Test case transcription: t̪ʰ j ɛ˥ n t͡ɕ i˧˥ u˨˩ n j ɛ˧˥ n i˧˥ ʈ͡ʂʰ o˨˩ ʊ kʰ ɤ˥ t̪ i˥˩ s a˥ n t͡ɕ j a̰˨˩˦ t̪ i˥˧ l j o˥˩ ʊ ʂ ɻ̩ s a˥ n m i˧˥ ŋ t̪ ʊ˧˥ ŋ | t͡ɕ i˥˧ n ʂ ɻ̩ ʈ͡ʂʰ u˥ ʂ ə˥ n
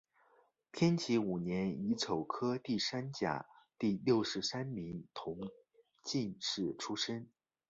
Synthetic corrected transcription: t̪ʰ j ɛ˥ n t͡ɕʰ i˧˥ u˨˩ n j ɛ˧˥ n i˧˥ ʈ͡ʂʰ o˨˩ ʊ kʰ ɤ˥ t̪ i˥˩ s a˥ n t͡ɕ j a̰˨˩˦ t̪ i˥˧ l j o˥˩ ʊ ʂ ɻ̩ s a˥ n m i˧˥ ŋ t̪ʰ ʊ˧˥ ŋ | t͡ɕ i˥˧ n ʂ ɻ̩ ʈ͡ʂʰ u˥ ʂ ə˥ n